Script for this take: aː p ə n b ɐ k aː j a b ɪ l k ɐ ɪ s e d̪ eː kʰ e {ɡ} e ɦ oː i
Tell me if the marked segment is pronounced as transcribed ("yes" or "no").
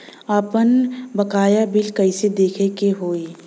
no